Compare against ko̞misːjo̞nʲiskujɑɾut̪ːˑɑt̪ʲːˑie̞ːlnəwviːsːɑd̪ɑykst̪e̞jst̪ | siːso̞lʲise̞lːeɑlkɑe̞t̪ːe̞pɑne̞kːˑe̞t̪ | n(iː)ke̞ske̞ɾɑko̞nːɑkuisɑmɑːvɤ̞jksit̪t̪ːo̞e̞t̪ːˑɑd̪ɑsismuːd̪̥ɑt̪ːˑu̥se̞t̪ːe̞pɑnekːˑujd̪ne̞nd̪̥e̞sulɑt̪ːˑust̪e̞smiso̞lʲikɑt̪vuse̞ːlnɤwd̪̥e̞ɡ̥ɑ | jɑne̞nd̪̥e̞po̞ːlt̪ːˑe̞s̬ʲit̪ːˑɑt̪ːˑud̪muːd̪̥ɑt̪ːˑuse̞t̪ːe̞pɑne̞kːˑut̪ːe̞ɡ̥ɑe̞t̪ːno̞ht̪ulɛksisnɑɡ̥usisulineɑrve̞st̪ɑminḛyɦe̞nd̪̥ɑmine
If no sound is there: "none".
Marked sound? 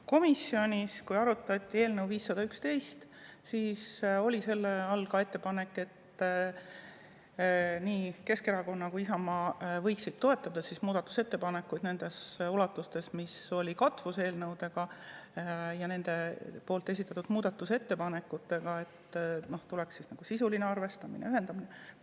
iː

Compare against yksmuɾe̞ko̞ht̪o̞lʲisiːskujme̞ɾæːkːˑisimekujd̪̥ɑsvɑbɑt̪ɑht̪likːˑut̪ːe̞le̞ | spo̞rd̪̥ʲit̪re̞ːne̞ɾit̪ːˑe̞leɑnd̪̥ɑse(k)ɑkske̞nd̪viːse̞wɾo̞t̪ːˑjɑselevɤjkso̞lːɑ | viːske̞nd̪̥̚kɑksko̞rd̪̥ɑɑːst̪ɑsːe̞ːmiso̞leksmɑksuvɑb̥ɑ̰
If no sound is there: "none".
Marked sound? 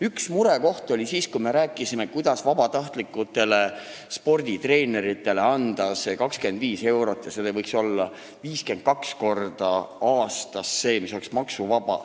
k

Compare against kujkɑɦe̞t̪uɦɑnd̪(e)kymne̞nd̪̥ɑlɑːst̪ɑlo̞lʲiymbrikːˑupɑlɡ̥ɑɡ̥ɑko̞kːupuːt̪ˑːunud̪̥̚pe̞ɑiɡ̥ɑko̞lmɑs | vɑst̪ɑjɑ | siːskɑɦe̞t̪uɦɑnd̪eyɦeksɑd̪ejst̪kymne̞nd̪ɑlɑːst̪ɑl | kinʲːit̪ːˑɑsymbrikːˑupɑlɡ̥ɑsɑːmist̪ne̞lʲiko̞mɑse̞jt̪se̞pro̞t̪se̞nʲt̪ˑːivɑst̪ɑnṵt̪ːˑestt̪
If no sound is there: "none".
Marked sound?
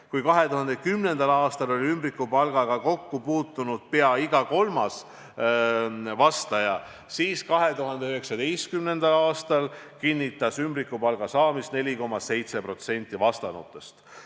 e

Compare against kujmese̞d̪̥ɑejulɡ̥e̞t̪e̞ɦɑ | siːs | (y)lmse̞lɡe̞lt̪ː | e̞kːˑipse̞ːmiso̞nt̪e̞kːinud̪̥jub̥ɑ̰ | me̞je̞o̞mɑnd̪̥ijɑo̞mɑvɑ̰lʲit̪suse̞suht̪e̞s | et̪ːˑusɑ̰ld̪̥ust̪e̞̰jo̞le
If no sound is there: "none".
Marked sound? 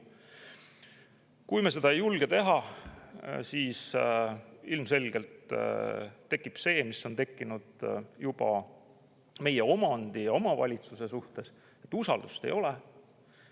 i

